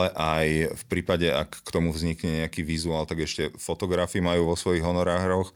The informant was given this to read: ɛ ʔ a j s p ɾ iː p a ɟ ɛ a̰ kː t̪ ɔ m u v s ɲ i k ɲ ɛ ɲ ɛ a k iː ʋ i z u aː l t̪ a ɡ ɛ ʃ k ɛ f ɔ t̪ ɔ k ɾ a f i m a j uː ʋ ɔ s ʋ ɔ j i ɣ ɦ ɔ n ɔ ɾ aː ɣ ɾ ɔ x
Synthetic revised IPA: ɛ ʔ a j f p ɾ iː p a ɟ ɛ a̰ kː t̪ ɔ m u v z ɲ i k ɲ ɛ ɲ ɛ a k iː ʋ i z u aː l t̪ a ɡ ɛ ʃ c ɛ f ɔ t̪ ɔ ɡ ɾ a f i m a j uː ʋ ɔ s ʋ ɔ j i ɣ ɦ ɔ n ɔ ɾ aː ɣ ɾ ɔ x